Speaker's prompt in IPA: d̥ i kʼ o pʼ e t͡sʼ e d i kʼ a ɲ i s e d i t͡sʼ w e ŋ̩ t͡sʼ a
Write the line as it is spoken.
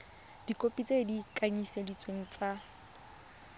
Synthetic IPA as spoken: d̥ i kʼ o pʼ i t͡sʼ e d i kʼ a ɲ i s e d i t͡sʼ w e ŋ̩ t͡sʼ a